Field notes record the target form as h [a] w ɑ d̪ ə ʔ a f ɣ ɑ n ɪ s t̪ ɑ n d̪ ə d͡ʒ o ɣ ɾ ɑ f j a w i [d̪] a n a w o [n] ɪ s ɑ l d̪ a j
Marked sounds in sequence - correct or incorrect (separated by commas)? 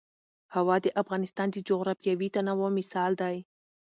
correct, incorrect, incorrect